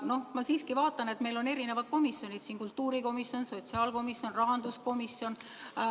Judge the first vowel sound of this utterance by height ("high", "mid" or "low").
mid